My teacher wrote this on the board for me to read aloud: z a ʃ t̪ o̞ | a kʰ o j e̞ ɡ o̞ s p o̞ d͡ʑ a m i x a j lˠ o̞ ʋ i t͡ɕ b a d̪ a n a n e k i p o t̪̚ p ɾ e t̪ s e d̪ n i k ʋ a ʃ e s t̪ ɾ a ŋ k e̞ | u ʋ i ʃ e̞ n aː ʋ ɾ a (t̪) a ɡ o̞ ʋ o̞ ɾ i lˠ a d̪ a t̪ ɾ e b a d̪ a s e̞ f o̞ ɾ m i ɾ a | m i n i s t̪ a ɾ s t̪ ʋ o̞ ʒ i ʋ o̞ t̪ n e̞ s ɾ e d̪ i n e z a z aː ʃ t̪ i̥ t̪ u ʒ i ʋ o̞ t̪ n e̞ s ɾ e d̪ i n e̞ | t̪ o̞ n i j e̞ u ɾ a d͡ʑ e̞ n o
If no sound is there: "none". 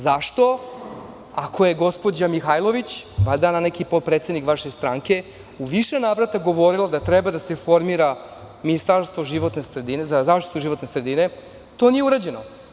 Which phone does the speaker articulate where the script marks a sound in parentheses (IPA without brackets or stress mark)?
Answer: t̪